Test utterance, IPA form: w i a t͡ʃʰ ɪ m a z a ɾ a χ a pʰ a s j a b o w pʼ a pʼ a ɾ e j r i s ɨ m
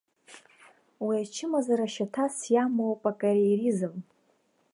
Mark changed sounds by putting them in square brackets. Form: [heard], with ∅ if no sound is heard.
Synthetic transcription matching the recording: w i a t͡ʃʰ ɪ m a z a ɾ a [ʃ] a [tʰ] a s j a [m] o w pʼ a [kʼ] a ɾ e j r i [z] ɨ m